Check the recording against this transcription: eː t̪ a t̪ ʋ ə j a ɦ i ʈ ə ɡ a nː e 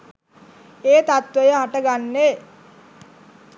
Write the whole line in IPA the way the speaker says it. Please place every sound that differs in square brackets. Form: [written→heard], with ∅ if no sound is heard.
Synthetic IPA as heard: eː t̪ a t̪ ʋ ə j [a→ə] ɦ [i→a] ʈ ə ɡ a nː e